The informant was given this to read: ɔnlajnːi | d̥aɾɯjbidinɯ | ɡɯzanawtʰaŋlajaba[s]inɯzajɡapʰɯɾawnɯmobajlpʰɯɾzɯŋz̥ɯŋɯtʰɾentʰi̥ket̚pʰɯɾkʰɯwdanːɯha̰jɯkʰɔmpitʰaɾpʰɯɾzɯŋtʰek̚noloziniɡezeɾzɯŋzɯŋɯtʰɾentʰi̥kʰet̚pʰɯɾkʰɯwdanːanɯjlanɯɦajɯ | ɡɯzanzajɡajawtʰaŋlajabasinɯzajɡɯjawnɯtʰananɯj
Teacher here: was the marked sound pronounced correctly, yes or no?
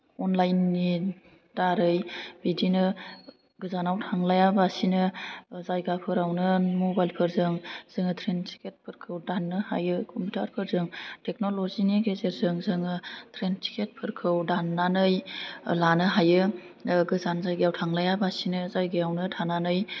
yes